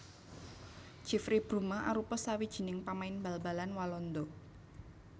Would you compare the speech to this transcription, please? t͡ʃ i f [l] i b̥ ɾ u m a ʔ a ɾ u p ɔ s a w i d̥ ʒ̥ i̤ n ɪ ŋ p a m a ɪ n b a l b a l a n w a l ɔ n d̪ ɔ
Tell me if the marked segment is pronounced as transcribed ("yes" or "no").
no